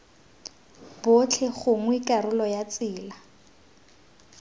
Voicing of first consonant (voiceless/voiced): voiced